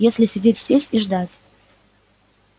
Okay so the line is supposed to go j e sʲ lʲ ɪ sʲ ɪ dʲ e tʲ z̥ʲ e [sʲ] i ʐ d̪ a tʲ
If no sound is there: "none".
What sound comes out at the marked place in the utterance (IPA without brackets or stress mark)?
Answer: sʲ